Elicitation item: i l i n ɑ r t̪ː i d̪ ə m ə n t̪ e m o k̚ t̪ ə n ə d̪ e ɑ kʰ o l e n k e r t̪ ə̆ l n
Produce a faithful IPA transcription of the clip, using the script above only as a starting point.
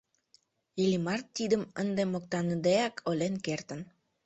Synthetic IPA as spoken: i l i m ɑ r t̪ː i d̪ ə m ə n d̪ e m o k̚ t̪ ɑ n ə d̪ e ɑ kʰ o l e n k e r t̪ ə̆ n